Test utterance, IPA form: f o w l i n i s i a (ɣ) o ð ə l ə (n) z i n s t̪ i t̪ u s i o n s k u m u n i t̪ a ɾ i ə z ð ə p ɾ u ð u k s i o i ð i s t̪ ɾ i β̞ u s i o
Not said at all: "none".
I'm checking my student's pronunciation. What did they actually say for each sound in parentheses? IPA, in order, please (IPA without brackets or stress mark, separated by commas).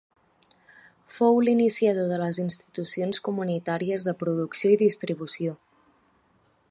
ð, none